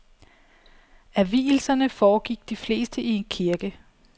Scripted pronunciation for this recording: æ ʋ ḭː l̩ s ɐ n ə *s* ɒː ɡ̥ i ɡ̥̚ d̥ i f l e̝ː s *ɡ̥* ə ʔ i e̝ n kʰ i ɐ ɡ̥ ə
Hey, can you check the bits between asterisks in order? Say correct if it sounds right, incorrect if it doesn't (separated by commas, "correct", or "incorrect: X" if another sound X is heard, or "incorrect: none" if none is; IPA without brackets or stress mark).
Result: incorrect: f, incorrect: d̥